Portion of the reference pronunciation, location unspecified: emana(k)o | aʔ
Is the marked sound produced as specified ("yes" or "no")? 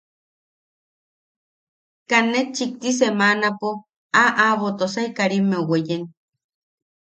no